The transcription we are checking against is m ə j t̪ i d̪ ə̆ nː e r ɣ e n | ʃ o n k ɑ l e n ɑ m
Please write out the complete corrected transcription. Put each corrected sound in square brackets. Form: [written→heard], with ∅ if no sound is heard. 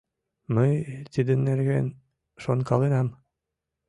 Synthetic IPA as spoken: m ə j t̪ i d̪ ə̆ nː e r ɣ e n | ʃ o n k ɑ l e n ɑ m

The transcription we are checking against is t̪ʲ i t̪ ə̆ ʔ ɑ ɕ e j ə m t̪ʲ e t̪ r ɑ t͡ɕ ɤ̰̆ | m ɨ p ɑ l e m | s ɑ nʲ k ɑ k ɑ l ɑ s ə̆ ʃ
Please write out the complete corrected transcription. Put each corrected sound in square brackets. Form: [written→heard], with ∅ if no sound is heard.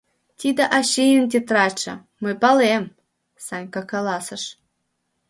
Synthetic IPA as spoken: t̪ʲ i [t̪→d̪] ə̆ ʔ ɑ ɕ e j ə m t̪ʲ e t̪ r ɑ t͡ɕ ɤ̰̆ | m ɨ p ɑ l e m | s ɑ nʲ k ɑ k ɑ l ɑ s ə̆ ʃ

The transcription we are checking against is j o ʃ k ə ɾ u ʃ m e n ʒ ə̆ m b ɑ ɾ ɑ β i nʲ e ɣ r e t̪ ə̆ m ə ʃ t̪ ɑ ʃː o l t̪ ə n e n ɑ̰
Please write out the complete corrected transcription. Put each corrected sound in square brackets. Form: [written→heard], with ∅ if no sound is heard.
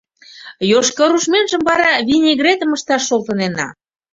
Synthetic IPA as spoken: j o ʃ k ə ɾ u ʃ m e n ʒ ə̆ m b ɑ ɾ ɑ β i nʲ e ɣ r e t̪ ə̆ m ə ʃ t̪ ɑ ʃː o l t̪ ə n e n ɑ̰

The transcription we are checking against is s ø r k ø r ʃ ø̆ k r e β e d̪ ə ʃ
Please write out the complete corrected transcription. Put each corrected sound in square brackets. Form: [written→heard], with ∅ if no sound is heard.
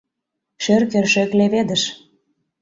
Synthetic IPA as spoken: [s→ʃ] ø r k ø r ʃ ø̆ k [r→l] e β e d̪ ə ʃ

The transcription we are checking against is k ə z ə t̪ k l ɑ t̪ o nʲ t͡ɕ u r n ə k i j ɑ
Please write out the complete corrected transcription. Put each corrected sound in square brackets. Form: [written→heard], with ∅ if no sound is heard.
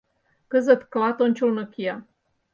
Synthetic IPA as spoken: k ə z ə t̪ k l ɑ t̪ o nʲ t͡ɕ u [r→l] n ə k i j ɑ

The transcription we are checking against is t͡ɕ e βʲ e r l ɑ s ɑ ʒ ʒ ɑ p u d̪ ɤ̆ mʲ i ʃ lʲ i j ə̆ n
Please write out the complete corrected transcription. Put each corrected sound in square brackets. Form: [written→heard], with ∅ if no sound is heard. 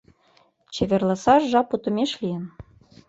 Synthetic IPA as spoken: t͡ɕ e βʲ e r l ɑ s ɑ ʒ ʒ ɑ p u [d̪→t̪] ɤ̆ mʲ [i→e] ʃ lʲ i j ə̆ n

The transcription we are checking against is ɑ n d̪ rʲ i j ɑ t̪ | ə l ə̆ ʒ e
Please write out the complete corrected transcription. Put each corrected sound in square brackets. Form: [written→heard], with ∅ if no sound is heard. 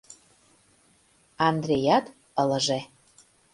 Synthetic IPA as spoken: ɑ n d̪ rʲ [i→e] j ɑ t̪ | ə l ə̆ ʒ e

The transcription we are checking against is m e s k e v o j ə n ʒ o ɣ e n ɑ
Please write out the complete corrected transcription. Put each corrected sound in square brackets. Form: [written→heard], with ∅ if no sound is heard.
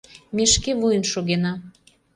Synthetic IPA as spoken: m e [s→ʃ] k e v [o→u] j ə n [ʒ→ʃ] o ɣ e n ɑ

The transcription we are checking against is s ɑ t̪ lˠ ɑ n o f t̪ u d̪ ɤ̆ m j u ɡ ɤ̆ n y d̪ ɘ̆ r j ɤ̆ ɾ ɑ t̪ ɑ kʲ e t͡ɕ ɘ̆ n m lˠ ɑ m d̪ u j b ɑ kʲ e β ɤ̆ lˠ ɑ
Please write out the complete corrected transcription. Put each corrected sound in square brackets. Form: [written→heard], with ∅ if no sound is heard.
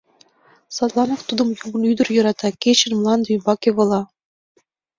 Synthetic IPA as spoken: s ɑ t̪ lˠ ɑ n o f t̪ u d̪ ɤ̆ m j u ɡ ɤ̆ n y d̪ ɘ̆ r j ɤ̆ ɾ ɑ t̪ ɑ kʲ e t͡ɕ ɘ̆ n m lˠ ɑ [m→n] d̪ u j b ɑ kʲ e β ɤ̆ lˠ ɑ

